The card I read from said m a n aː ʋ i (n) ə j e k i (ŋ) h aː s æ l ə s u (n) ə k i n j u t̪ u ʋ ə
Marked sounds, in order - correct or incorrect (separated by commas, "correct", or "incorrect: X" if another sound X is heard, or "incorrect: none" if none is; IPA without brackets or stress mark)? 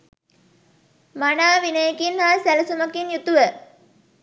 correct, incorrect: n, incorrect: m